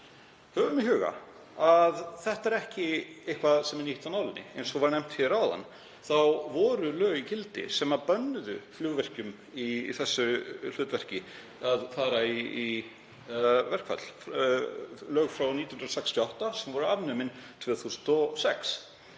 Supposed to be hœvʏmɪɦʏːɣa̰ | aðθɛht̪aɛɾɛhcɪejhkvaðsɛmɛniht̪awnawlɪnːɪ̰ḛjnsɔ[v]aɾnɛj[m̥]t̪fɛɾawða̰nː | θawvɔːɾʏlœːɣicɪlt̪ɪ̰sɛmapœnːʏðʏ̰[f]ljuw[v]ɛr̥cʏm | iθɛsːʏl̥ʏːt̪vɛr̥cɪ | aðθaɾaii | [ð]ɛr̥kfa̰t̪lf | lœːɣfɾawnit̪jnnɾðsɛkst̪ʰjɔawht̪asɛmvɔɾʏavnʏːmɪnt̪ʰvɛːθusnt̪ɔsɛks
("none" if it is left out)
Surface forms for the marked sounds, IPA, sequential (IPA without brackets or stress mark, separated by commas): v, m̥, f, v, v